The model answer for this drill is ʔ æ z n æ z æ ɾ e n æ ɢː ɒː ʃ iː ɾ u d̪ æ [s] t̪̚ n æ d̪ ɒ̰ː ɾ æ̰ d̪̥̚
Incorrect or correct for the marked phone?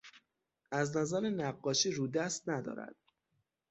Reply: correct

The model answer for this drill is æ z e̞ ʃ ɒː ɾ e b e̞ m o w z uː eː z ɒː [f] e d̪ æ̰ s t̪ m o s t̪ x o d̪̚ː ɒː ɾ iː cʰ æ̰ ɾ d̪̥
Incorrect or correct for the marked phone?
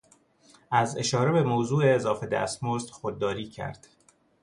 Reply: correct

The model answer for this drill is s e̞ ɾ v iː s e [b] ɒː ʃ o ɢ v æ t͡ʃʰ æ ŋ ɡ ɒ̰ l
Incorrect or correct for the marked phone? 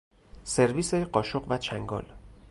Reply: incorrect: ɢ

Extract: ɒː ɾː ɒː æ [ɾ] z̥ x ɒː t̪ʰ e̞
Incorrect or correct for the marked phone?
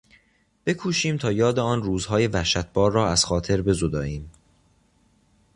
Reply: incorrect: none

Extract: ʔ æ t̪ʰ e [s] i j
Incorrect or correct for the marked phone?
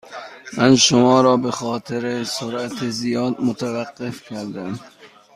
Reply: incorrect: z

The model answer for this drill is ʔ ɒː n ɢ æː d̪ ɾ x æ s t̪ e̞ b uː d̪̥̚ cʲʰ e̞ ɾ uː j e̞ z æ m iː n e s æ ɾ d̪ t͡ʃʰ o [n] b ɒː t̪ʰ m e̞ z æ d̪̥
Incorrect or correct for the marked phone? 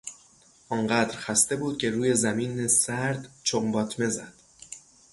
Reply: incorrect: m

